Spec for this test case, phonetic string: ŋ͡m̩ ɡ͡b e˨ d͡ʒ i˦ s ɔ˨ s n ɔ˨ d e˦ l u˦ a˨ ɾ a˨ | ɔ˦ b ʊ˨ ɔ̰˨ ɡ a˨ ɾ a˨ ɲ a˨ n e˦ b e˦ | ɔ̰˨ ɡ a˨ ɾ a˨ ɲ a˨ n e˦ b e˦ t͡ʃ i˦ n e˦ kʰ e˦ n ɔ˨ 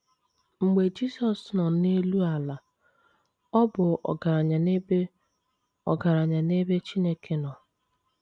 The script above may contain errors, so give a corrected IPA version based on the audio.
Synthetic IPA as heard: ŋ͡m̩ ɡ͡b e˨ d͡ʒ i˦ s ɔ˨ s n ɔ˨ n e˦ l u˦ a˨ l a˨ | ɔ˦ b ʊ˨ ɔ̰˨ ɡ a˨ ɾ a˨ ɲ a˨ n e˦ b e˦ | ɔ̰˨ ɡ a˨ ɾ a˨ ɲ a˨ n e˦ b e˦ t͡ʃ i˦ n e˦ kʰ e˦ n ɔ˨